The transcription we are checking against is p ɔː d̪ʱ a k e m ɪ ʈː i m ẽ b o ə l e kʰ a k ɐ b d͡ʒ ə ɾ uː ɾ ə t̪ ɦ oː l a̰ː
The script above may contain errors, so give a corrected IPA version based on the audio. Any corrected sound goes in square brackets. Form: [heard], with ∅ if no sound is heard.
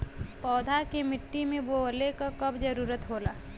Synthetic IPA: p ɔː d̪ʱ a k e m ɪ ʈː i m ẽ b o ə l e [k] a k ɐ b d͡ʒ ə ɾ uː ɾ ə t̪ ɦ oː l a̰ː

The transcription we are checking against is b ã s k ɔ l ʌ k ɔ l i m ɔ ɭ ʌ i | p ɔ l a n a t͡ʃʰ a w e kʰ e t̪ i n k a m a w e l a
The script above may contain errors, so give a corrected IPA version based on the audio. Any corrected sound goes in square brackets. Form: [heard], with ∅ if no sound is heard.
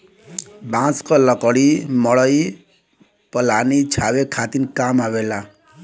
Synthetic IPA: b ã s k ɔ l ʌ k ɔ [ɽ] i m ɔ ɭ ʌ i | p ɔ l a n [i] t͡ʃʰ a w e kʰ [a] t̪ i n k a m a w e l a

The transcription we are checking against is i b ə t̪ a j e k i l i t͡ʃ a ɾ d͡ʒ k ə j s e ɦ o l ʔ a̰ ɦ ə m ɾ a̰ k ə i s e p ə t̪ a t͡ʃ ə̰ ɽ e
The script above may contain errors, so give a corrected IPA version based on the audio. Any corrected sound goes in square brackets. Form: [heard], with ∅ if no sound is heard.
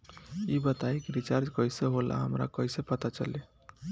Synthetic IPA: i b ə t̪ a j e k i [ɾ] i t͡ʃ a ɾ d͡ʒ k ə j s e ɦ o l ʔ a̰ ɦ ə m ɾ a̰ k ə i s e p ə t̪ a t͡ʃ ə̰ [l] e

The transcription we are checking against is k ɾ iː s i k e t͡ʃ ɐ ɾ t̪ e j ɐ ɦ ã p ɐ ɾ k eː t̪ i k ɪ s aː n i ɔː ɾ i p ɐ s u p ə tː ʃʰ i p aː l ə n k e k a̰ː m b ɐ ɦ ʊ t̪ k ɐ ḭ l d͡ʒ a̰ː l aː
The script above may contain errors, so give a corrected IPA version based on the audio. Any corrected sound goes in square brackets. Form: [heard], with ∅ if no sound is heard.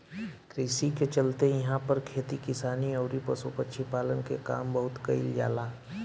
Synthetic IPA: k ɾ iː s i k e t͡ʃ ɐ [l] t̪ e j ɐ ɦ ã p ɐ ɾ [kʰ] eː t̪ i k ɪ s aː n i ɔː ɾ i p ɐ s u p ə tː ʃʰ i p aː l ə n k e k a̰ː m b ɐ ɦ ʊ t̪ k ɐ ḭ l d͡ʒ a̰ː l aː

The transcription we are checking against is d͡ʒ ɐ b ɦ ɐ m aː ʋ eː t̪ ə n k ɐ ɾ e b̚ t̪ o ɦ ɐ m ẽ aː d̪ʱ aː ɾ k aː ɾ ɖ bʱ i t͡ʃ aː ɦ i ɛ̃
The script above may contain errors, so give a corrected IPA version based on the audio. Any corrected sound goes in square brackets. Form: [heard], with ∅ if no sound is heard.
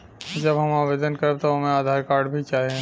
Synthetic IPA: d͡ʒ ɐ b ɦ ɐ m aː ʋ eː [d̪] ə n k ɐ ɾ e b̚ t̪ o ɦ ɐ m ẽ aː d̪ʱ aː ɾ k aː ɾ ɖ bʱ i t͡ʃ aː ɦ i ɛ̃

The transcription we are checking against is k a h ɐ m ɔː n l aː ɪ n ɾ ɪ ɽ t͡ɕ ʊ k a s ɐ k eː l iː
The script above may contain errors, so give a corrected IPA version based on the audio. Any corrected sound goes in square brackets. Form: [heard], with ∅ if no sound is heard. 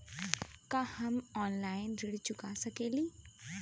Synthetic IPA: k a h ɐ m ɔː n l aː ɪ n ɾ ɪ ɽ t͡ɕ ʊ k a s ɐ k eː l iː

